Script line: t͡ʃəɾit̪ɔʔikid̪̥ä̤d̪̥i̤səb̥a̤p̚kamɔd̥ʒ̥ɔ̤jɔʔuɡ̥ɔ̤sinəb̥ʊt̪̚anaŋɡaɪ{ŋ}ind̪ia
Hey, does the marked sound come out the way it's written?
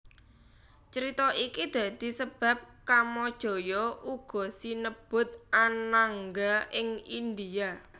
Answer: yes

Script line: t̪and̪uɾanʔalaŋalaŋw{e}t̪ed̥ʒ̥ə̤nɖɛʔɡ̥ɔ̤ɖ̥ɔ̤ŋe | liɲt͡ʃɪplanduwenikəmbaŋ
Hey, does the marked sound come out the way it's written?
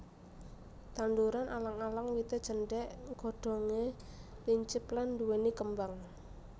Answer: no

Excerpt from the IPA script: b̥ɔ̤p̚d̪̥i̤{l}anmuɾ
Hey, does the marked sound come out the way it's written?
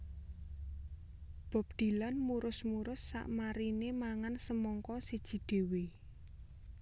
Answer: yes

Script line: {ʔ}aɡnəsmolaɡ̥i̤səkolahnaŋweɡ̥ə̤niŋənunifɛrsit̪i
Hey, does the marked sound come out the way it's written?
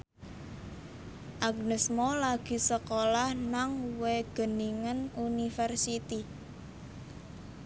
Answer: yes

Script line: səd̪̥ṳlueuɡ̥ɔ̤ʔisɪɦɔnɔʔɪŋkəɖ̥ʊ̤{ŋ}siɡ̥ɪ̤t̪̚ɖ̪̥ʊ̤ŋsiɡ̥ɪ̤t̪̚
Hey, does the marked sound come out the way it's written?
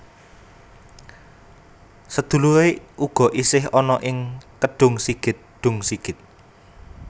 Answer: yes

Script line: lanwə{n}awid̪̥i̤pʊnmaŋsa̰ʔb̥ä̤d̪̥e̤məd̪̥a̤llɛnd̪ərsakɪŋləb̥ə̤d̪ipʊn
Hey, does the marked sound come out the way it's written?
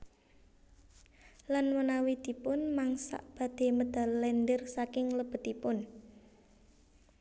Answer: yes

